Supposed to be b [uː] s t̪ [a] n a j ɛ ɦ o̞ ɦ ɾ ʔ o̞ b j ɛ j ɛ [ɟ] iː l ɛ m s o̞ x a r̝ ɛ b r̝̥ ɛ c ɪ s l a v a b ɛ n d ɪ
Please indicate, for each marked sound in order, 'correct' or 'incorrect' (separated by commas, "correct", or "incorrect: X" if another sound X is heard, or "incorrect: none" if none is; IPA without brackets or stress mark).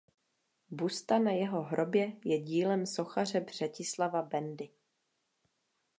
incorrect: u, correct, correct